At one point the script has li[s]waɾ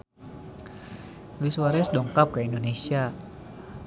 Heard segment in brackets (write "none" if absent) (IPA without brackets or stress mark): s